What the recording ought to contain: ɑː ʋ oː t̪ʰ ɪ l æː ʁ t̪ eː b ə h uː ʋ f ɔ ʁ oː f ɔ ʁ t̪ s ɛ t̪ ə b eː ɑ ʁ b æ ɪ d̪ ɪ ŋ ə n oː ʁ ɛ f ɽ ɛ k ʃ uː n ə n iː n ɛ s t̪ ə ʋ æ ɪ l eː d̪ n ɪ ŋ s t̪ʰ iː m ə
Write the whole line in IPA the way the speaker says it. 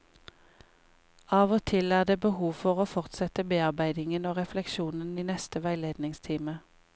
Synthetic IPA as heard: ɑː ʋ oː t̪ʰ ɪ l æː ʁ d̪ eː b ə h uː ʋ f ɔ ʁ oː f ɔ ʁ t̪ s ɛ t̪ ə b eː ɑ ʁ b æ ɪ d̪ ɪ ŋ ə n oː ʁ ɛ f l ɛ k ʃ uː n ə n iː n ɛ s t̪ ə ʋ æ ɪ l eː d̪ n ɪ ŋ s t̪ʰ iː m ə